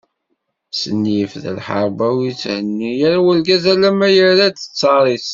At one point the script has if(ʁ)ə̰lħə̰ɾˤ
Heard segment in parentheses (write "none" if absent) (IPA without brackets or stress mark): ð